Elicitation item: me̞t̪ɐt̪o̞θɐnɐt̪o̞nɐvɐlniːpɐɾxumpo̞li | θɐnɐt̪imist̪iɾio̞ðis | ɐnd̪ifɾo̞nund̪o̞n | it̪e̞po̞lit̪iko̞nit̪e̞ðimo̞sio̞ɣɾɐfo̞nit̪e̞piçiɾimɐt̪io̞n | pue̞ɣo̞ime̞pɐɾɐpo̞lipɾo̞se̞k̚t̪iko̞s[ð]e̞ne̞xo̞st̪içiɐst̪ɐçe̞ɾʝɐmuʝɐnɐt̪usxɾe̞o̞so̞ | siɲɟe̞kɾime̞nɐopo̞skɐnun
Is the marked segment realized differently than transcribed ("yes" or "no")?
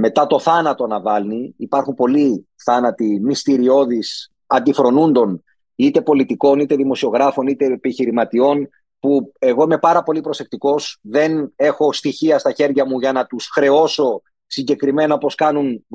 no